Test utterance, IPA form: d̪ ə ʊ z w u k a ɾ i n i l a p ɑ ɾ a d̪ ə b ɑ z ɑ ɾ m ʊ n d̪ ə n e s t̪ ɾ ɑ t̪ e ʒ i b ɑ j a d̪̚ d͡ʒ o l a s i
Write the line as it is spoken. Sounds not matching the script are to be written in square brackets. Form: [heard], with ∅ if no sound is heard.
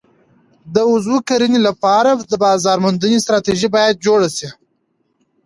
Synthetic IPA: d̪ ə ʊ z w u k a ɾ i n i l a p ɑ ɾ a d̪ ə b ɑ z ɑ ɾ m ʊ n d̪ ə n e s t̪ ɾ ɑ t̪ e ʒ i b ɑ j a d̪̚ d͡ʒ o [ɽ] a s i